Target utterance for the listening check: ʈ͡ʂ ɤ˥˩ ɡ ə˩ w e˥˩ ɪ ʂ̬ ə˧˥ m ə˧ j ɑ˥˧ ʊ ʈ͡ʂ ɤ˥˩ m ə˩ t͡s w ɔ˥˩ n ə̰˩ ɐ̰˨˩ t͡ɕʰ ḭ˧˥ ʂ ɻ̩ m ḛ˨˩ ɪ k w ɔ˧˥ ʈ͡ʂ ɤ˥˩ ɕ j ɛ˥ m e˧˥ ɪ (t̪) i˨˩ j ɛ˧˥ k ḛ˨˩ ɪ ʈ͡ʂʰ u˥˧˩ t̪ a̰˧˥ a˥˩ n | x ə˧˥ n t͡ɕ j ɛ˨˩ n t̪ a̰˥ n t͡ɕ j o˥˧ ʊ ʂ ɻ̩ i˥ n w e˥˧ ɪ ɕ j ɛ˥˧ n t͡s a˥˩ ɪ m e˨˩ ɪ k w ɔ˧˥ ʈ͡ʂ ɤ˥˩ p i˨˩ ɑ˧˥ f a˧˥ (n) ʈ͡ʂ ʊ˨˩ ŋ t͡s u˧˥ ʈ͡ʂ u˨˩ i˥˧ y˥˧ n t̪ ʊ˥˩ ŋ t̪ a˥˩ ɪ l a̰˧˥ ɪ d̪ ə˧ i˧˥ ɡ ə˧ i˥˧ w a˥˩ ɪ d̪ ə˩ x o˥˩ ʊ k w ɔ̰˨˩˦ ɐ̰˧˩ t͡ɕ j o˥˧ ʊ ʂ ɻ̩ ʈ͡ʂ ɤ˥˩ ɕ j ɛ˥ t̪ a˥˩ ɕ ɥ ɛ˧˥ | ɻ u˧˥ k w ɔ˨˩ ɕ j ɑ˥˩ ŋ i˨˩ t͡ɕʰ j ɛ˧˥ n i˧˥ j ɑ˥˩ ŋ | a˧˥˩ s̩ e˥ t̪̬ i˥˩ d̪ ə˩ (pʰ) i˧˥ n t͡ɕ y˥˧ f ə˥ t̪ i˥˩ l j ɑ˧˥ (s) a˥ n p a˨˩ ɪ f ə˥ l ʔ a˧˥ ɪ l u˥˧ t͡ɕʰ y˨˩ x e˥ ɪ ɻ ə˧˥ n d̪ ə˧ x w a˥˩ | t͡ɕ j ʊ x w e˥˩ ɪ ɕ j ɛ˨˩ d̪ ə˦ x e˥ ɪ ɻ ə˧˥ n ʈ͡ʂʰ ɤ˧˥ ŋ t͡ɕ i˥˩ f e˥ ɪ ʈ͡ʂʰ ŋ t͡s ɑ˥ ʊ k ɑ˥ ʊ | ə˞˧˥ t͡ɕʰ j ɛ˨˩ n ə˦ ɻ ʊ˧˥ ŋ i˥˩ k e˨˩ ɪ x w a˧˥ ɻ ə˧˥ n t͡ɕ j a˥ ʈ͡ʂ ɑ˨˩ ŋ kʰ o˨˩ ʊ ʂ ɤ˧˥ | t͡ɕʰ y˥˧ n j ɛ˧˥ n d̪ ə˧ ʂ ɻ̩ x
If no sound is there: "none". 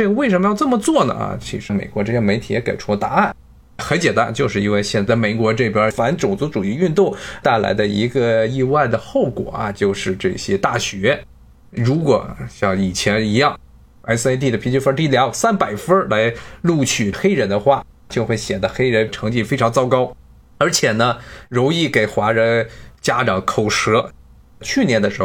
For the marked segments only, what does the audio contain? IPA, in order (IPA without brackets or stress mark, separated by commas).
t̪ʰ, n, pʰ, s